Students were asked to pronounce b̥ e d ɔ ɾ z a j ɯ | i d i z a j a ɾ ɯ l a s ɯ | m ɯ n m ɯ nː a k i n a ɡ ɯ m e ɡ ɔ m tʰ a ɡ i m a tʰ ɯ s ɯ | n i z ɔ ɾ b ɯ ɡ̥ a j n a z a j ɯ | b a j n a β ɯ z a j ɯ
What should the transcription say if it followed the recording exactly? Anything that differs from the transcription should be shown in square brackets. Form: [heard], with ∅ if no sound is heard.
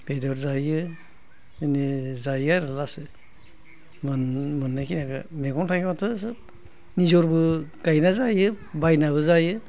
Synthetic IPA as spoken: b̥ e d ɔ ɾ z a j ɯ | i [n] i z a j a ɾ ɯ l a s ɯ | m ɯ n m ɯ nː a k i n a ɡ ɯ m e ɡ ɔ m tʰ a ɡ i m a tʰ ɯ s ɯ | n i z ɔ ɾ b ɯ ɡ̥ a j n a z a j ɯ | b a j n a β ɯ z a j ɯ